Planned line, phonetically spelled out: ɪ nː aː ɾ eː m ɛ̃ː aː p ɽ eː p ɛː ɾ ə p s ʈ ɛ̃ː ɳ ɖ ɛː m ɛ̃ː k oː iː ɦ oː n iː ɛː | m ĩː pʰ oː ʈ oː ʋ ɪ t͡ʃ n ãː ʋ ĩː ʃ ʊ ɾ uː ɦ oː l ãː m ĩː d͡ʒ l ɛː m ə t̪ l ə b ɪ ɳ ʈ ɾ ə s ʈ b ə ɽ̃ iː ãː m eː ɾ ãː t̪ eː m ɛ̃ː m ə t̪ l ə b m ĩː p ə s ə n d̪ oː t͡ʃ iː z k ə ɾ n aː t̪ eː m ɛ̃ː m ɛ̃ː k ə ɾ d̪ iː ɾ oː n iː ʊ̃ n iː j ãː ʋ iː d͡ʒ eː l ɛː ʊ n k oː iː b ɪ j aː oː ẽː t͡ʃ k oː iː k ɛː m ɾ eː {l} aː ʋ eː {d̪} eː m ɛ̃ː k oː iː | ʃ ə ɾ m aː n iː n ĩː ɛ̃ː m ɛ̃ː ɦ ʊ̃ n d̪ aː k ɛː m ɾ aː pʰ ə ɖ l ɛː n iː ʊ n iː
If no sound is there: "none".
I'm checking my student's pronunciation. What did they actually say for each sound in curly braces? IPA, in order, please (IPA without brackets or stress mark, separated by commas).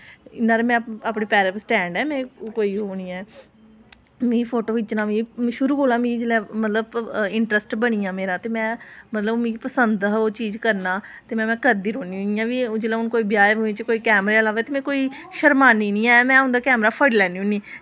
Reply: l, t̪